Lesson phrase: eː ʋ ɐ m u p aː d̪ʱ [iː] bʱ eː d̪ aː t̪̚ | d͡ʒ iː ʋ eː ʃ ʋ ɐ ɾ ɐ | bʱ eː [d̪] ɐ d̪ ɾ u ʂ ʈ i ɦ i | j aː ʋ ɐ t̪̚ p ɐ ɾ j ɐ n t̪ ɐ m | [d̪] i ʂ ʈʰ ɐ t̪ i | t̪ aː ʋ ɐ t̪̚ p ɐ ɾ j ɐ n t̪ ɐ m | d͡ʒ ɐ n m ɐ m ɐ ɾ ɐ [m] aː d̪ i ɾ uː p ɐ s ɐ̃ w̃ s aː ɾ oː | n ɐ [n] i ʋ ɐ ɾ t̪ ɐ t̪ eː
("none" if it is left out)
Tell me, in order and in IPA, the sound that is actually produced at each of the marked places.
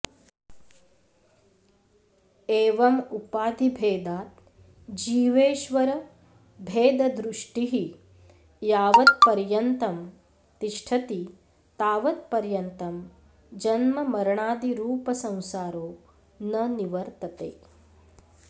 i, d̪, t̪, ɳ, n

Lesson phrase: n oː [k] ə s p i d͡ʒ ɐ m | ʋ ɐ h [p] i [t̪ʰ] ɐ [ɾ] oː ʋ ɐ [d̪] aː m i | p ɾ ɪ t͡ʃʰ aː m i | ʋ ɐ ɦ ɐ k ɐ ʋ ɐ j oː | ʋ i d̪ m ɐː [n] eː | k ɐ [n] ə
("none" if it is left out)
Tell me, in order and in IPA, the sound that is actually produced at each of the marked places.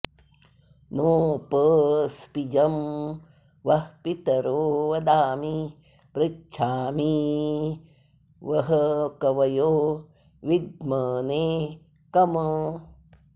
p, p, t̪, ɾ, d̪, n, m

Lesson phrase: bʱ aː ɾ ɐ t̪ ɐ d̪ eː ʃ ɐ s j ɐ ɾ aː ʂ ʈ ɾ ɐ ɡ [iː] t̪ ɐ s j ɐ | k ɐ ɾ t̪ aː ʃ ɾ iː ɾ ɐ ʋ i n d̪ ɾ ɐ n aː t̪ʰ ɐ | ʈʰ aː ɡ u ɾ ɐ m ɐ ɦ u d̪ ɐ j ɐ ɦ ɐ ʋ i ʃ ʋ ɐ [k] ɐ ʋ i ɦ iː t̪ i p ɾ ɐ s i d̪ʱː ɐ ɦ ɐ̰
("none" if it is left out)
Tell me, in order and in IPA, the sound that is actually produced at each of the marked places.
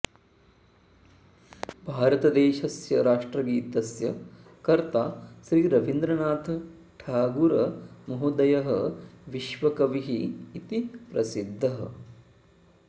iː, k

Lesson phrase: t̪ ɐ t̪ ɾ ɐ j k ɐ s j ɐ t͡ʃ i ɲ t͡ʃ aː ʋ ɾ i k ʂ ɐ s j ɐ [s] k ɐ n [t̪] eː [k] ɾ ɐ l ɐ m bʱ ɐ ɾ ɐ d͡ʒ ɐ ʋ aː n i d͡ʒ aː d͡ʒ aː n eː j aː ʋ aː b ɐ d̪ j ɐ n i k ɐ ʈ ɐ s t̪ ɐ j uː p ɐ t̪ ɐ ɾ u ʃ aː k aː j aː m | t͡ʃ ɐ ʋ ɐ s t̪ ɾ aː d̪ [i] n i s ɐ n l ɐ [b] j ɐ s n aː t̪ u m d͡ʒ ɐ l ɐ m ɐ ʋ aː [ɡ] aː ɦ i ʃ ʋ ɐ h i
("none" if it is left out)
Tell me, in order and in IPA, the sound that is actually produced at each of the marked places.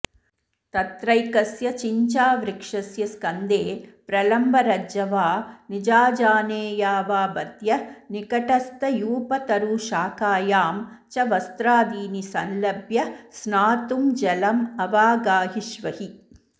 s, d̪, p, iː, b, ɡ

